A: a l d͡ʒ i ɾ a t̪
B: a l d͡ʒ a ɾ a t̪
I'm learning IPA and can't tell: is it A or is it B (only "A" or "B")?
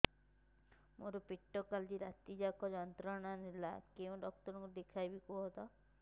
A